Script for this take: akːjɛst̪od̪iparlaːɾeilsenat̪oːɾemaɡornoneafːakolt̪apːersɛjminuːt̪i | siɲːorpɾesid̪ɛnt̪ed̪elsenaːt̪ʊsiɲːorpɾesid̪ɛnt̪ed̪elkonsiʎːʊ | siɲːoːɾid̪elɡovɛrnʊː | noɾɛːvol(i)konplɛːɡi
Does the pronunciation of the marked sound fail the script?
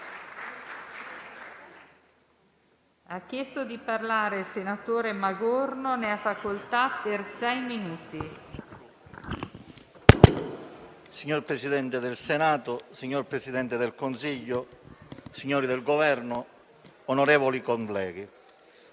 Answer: no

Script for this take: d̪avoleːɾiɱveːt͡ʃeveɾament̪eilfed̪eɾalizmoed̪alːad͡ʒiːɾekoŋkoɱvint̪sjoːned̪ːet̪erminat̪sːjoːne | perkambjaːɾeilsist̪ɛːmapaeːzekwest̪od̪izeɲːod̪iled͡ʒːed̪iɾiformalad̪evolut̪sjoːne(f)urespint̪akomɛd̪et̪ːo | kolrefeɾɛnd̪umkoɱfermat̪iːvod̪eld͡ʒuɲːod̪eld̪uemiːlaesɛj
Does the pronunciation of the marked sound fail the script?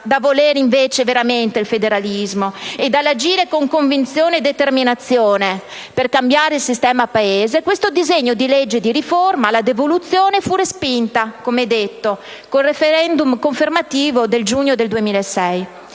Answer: no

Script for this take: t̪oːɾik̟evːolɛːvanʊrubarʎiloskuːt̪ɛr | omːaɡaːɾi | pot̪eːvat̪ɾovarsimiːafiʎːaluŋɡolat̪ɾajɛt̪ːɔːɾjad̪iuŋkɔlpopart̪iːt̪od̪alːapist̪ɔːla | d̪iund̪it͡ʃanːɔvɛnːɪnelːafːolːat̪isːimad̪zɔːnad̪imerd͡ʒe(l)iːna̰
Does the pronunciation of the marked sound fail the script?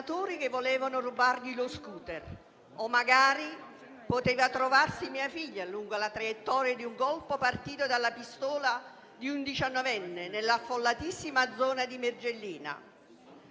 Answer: yes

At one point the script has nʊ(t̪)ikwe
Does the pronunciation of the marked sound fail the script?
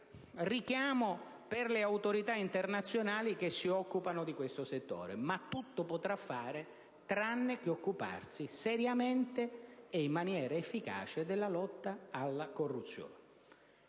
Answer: yes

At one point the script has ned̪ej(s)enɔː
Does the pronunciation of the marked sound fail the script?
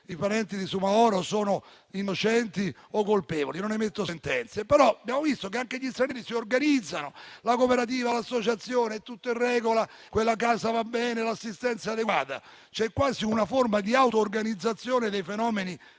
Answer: yes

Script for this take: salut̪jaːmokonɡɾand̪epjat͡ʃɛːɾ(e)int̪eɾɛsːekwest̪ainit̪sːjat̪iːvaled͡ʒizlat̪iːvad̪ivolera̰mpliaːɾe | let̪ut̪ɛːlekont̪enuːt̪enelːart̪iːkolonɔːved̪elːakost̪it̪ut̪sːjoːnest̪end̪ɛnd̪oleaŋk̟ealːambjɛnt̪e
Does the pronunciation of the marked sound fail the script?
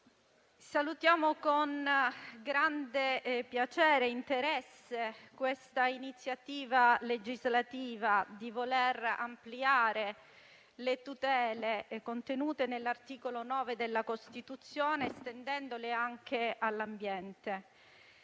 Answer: no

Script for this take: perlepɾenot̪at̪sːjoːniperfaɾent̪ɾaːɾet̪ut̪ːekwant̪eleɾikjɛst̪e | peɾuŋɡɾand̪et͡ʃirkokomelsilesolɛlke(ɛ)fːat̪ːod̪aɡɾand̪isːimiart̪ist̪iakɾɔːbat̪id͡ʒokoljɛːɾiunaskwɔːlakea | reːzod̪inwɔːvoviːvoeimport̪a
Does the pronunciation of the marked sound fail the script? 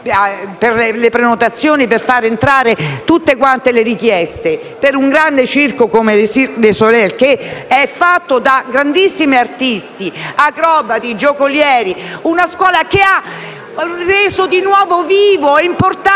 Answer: no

